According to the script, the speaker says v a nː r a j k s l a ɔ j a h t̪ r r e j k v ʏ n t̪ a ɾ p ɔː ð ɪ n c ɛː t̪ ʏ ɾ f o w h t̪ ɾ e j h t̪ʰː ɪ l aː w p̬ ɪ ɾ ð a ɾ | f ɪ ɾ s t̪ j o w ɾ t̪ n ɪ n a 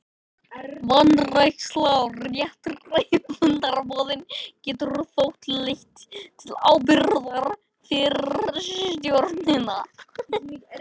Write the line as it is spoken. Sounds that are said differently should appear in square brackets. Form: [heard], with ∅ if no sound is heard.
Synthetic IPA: v a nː r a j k s l a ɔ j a h t̪ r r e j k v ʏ n t̪ a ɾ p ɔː ð ɪ n c ɛː t̪ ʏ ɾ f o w h t̪ [l] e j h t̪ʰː ɪ l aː w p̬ ɪ ɾ ð a ɾ | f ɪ ɾ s t̪ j o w ɾ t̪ n ɪ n a